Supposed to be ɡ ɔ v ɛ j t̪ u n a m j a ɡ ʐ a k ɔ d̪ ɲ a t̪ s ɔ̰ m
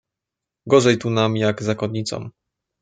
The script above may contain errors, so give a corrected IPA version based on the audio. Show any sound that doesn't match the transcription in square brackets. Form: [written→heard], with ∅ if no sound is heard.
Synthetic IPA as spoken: ɡ ɔ [v→ʐ] ɛ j t̪ u n a m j a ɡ [ʐ→z] a k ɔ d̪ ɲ [a→i] t̪ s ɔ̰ m